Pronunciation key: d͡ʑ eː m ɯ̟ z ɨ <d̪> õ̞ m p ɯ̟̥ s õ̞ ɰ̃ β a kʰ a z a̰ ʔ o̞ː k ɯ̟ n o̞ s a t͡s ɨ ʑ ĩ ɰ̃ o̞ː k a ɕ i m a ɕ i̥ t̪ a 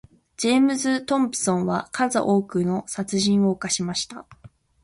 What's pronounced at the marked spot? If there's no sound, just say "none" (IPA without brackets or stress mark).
t̪